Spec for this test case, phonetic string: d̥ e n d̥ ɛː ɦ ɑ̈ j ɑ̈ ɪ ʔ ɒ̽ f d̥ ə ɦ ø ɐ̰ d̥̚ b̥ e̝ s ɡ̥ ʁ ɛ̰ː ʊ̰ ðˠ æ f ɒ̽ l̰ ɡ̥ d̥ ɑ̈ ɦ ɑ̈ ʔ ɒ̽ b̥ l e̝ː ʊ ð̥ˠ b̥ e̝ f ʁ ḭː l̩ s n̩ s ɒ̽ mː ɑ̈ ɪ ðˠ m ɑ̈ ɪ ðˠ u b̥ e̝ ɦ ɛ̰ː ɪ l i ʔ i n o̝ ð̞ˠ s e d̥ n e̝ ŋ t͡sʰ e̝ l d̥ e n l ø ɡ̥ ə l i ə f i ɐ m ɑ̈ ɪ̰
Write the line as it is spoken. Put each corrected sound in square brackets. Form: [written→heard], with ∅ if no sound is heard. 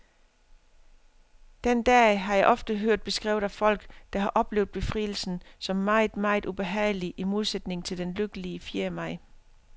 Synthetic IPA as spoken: d̥ e n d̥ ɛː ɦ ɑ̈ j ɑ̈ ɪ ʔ ɒ̽ f d̥ ə ɦ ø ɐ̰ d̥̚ b̥ e̝ s ɡ̥ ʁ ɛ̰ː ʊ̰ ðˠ æ f ɒ̽ l̰ ɡ̥ d̥ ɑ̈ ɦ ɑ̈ ʔ ɒ̽ b̥ l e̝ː ʊ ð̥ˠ b̥ e̝ f ʁ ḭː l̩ s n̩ s ɒ̽ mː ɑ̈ ɪ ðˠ m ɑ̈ ɪ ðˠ u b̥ e̝ ɦ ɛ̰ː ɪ l i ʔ i [n→m] o̝ ð̞ˠ s e d̥ n e̝ ŋ t͡sʰ e̝ l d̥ e n l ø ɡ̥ ə l i ə f i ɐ m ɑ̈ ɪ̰